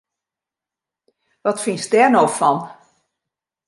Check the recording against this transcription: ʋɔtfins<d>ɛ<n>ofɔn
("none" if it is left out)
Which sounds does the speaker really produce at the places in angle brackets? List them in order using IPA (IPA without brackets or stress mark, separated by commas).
d, n